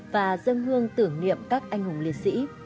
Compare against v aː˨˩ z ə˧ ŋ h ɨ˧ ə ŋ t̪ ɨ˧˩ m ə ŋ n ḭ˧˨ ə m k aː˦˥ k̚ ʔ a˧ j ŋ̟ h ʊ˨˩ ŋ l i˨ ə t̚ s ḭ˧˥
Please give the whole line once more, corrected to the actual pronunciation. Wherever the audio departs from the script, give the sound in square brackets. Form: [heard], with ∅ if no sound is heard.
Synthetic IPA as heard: v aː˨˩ z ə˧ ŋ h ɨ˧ ə ŋ t̪ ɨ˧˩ [∅] ə ŋ n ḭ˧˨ ə m k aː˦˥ k̚ ʔ a˧ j ŋ̟ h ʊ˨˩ [ŋ͡m] l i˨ ə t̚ s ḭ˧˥